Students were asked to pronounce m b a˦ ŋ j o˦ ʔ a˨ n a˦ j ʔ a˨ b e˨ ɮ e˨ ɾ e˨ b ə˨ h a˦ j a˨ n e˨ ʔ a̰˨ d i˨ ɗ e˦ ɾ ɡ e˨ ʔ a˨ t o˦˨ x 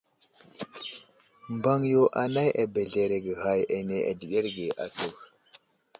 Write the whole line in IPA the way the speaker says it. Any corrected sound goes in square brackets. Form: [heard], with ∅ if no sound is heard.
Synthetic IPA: m b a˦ ŋ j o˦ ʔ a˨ n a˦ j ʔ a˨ b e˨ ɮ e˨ ɾ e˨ [ɡ] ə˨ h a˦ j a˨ n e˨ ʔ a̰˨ d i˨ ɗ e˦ ɾ ɡ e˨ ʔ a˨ t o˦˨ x